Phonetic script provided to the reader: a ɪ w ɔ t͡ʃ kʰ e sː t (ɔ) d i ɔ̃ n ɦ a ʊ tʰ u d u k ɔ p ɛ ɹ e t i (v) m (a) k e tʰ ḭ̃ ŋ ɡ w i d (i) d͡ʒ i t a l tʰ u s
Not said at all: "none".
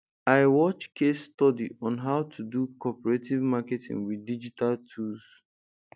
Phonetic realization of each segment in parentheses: ɔ, v, a, i

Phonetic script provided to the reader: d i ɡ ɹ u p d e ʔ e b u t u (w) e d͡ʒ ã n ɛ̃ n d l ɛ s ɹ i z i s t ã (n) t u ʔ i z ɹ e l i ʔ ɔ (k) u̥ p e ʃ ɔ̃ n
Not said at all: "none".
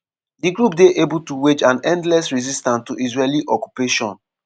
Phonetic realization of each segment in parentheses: w, n, k

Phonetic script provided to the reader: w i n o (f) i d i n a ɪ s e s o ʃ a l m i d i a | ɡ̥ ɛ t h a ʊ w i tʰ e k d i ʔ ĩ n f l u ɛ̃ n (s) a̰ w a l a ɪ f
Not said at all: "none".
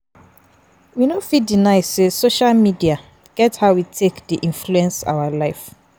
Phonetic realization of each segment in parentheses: f, s

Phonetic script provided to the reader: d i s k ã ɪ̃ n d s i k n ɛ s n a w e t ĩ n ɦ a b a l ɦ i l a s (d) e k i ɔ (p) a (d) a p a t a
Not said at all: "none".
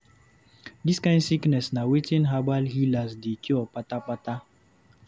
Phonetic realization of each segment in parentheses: d, p, t

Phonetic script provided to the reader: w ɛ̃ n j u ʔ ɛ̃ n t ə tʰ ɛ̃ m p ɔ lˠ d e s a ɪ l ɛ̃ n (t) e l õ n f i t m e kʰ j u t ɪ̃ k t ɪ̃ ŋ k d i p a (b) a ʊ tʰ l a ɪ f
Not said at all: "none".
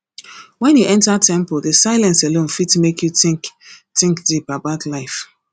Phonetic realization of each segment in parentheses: s, b

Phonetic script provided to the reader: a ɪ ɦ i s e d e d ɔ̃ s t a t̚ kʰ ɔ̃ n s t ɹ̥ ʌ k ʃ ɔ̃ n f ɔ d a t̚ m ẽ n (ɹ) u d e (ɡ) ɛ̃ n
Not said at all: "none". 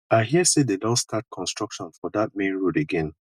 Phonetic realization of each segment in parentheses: ɹ, ɡ

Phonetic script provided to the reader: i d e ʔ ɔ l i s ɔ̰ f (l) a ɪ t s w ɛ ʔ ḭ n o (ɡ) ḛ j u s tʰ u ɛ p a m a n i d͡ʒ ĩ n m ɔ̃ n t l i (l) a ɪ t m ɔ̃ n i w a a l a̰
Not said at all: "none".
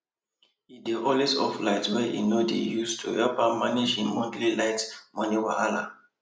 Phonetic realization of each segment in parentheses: l, d, l

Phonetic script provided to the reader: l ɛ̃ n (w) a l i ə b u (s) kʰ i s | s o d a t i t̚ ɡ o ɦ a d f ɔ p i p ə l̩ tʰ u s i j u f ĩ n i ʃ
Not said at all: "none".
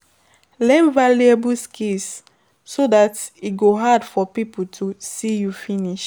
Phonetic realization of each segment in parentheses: v, s

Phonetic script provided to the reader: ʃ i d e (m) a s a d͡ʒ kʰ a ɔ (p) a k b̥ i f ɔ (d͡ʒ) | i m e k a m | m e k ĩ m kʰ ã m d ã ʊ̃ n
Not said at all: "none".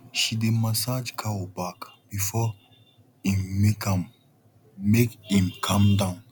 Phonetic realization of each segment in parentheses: m, b, none

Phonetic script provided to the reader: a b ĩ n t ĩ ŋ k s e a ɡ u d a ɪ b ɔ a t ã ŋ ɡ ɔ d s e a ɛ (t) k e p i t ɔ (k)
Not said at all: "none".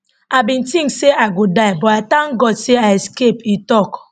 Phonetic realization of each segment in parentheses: s, k

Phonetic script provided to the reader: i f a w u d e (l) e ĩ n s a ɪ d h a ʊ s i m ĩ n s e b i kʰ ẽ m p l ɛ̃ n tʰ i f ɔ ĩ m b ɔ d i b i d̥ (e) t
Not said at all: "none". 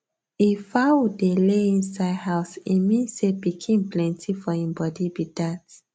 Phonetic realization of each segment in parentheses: l, a

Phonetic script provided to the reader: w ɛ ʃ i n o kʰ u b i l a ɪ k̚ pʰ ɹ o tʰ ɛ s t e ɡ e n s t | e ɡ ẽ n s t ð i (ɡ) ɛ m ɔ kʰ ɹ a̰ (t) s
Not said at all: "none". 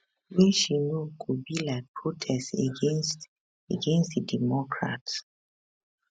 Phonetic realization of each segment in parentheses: d, t

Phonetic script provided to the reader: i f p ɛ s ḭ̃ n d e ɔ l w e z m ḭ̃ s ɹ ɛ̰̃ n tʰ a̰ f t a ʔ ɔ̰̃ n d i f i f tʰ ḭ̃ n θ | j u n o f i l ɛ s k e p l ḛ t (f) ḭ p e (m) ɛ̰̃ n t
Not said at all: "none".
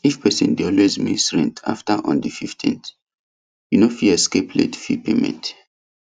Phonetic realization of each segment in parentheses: f, m

